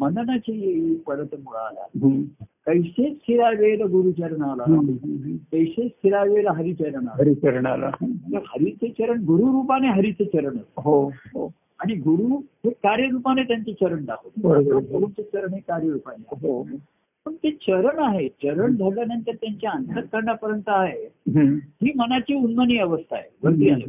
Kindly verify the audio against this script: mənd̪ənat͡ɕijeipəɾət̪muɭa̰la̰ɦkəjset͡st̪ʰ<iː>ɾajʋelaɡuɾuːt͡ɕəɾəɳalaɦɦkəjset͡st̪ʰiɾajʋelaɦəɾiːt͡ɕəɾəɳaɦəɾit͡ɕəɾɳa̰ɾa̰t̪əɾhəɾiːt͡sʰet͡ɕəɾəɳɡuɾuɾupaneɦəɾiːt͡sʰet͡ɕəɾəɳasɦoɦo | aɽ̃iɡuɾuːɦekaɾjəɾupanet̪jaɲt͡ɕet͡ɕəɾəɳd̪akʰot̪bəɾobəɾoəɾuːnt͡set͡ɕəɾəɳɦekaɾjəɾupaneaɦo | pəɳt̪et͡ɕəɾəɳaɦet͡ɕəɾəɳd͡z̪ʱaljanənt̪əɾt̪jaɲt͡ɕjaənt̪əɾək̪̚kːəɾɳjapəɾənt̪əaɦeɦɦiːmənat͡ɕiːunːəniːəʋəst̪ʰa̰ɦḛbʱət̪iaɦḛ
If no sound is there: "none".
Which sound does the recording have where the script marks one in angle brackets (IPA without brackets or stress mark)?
i